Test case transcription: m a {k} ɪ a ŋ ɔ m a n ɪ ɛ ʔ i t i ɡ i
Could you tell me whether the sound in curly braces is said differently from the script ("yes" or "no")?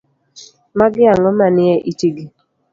yes